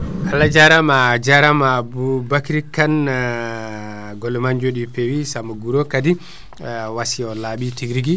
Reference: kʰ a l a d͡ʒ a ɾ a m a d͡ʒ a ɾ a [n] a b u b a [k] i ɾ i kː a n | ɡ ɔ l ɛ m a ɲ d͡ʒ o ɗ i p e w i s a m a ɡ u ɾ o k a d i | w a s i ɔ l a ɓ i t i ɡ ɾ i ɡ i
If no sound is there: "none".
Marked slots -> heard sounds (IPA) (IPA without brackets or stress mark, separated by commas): m, k